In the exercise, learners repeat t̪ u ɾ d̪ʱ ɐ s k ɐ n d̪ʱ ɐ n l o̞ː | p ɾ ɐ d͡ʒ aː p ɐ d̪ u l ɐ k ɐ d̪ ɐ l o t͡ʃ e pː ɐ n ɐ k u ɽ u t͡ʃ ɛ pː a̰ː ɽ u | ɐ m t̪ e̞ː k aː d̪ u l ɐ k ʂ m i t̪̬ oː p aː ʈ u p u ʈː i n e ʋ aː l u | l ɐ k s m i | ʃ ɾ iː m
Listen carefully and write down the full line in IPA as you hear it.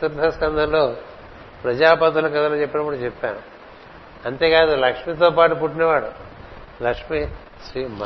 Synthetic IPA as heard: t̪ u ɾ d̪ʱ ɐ s k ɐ n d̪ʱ ɐ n l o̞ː | p ɾ ɐ d͡ʒ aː p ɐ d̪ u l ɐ k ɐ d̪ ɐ l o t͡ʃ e pː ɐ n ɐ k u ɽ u t͡ʃ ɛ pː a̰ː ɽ u | ɐ n t̪ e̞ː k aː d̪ u l ɐ k ʂ m i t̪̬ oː p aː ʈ u p u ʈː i n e ʋ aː ɽ u | l ɐ k ʂ m i | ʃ ɾ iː m